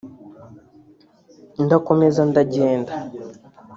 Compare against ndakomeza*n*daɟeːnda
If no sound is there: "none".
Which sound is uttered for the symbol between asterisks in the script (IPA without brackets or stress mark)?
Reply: n